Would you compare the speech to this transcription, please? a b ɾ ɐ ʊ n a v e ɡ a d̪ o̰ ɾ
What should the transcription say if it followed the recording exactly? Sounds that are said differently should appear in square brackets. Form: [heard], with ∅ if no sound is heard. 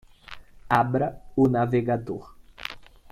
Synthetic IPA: a b ɾ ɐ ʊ n a v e ɡ a d̪ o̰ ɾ